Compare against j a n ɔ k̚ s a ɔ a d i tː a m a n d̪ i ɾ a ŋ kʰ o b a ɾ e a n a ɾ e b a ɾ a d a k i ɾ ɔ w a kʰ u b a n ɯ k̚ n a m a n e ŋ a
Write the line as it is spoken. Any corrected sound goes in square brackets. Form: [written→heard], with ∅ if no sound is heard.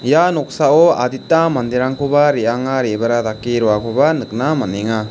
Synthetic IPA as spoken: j a n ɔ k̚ s a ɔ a d i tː a m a n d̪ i ɾ a ŋ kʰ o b a ɾ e a [n→ŋ] a ɾ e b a ɾ a d a k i ɾ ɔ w a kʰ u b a n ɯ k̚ n a m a n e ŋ a